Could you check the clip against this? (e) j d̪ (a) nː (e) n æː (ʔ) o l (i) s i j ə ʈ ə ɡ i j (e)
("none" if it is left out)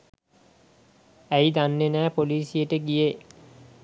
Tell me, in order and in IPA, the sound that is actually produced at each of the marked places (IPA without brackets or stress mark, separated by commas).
æ, a, e, p, iː, e